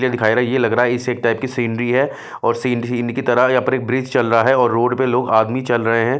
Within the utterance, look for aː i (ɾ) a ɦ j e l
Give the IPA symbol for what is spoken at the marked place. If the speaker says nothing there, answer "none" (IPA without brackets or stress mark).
ɾ